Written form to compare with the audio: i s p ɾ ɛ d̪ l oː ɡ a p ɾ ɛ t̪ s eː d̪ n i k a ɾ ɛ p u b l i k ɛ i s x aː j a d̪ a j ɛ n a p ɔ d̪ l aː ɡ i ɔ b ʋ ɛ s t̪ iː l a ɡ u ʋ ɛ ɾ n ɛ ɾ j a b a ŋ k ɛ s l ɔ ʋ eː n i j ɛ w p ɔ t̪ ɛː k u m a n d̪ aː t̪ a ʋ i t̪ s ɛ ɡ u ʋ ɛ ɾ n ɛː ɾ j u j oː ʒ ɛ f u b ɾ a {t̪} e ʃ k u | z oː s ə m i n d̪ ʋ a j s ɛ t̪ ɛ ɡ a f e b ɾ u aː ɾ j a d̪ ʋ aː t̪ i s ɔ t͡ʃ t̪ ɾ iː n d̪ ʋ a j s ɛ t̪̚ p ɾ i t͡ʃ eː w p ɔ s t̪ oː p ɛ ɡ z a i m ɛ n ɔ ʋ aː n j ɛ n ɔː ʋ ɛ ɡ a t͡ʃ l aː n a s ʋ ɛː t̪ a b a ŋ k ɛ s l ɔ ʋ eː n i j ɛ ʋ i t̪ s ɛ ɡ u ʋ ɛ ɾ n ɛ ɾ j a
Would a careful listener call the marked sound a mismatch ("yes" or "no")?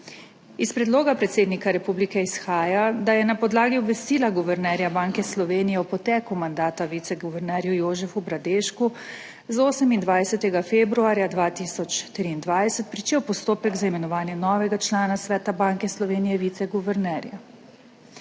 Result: yes